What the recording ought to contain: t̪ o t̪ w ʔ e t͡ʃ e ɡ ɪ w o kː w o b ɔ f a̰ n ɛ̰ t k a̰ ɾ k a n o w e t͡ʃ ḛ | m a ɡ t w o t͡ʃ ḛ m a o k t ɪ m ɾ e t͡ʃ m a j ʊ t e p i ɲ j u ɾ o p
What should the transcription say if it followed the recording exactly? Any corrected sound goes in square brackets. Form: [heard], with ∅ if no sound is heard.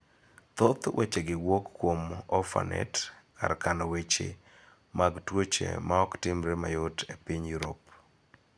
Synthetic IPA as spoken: t̪ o t̪ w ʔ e t͡ʃ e ɡ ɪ w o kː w o [m] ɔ f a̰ n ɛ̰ t k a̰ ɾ k a n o w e t͡ʃ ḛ | m a ɡ t w o t͡ʃ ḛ m a [ɔ] k t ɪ m ɾ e [∅] m a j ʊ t e p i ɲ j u ɾ o p